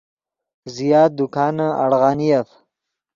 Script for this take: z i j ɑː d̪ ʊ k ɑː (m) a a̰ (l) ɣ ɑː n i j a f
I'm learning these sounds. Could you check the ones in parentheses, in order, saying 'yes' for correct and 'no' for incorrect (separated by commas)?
no, no